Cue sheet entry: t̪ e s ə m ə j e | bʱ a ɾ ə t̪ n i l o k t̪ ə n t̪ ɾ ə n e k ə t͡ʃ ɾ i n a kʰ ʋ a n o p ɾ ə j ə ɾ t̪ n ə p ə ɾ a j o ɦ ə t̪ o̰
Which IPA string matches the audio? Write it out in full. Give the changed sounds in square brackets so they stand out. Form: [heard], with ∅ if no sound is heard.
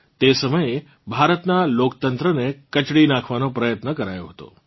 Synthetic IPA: t̪ e s ə m ə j e | bʱ a ɾ ə t̪ n [a] l o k t̪ ə n t̪ ɾ ə n e k ə t͡ʃ [ɽ] i n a kʰ ʋ a n o p ɾ ə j ə [∅] t̪ n ə [k] ə ɾ a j o ɦ ə t̪ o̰